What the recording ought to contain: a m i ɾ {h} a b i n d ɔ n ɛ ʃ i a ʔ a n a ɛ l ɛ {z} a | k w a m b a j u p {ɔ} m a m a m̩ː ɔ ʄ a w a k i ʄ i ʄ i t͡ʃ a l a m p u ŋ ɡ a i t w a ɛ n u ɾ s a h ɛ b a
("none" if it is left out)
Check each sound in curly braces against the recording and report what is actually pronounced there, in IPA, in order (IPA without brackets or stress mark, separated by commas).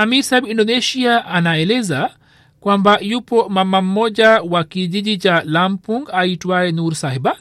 s, z, ɔ